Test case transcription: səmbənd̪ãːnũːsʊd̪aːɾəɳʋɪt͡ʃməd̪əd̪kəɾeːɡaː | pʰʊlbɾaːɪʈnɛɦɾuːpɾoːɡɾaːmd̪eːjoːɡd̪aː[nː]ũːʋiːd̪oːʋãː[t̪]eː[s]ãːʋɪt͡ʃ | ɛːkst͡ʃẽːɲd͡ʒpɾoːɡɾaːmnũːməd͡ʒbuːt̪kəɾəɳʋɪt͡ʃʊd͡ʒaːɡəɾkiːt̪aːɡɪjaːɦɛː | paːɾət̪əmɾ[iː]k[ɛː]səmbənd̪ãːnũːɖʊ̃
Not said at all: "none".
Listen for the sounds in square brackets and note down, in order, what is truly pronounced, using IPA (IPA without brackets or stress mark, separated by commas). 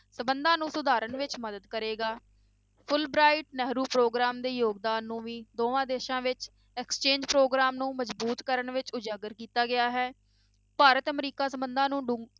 nː, d̪, ʃ, iː, aː